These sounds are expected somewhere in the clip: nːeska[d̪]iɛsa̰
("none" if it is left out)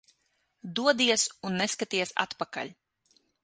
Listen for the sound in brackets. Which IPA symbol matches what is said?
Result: t̪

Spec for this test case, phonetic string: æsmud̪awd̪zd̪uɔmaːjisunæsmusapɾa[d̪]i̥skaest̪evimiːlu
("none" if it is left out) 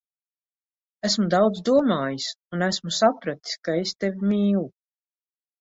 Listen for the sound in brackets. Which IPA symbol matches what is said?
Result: t̪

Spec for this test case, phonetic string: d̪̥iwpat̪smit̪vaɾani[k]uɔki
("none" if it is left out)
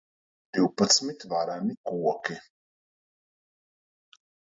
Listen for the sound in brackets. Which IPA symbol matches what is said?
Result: k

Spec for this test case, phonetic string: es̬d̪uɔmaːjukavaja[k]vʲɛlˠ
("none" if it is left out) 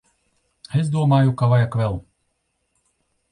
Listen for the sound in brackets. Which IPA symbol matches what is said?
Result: k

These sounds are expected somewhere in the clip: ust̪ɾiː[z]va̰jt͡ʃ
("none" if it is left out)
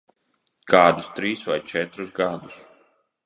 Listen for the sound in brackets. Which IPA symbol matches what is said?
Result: s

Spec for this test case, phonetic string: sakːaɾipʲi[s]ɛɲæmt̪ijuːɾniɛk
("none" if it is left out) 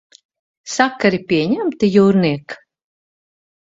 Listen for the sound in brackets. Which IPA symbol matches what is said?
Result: none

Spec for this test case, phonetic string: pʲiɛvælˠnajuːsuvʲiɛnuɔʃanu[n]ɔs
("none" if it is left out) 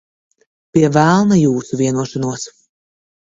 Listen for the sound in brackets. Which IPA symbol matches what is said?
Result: none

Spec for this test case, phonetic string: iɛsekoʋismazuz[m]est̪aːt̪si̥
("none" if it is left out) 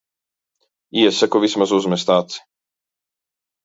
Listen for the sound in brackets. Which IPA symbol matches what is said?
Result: m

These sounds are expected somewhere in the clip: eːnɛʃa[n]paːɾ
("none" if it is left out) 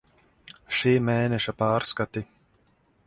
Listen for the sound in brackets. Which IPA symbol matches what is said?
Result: none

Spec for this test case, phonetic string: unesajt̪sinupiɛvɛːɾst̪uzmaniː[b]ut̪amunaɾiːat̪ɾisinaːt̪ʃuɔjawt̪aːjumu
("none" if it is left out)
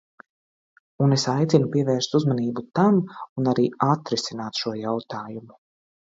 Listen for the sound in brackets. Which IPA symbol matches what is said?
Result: b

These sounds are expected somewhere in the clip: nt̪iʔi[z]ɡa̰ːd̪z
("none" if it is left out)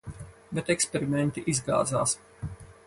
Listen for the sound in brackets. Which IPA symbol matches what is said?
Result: z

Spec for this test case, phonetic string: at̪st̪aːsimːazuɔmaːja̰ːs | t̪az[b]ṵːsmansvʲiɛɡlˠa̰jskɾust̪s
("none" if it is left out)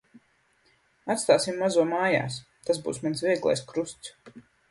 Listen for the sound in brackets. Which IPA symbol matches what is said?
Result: b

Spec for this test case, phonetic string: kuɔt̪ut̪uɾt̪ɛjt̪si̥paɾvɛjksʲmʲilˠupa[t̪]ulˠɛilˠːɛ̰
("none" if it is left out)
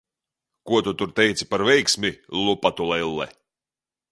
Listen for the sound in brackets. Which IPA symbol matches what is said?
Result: t̪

